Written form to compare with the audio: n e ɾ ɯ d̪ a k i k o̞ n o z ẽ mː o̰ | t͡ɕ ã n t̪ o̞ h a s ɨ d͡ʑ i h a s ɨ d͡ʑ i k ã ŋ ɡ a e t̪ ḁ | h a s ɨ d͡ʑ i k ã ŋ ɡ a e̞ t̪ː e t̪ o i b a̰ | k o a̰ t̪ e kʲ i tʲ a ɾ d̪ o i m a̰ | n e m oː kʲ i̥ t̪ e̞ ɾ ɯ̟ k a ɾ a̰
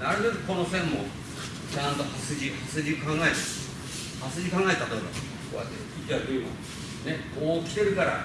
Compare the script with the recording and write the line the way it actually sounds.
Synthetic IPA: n a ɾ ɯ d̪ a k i k o̞ n o s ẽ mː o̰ | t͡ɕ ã n t̪ o̞ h a s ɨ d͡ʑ i h a s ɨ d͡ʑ i k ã ŋ ɡ a e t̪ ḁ | h a s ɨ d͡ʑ i k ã ŋ ɡ a e̞ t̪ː a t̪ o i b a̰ | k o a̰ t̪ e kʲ i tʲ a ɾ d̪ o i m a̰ | n e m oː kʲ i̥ t̪ e̞ ɾ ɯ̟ k a ɾ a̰